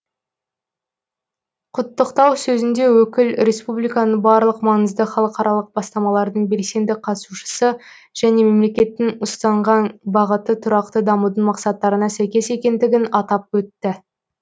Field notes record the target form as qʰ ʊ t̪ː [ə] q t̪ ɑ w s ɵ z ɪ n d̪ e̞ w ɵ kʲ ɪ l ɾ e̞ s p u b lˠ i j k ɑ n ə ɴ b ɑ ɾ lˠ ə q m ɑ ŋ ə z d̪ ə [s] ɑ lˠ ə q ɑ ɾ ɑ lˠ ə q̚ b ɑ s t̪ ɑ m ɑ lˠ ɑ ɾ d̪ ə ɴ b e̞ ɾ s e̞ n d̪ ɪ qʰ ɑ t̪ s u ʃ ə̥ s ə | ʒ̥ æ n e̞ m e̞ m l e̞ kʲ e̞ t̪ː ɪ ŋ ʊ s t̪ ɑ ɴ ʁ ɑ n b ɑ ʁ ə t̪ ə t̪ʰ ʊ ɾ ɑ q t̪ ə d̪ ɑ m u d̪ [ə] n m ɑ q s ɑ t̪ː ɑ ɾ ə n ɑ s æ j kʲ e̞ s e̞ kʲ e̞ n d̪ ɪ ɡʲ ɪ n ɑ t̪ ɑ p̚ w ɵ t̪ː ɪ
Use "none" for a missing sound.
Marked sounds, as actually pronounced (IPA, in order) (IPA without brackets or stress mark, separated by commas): ə, χ, ə